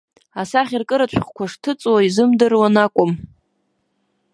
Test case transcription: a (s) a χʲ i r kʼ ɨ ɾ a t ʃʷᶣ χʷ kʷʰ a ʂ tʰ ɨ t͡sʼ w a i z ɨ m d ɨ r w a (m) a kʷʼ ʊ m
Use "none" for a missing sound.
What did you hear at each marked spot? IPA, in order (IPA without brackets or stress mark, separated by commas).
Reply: s, n